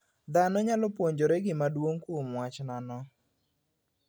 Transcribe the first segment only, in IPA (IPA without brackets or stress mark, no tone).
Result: d̪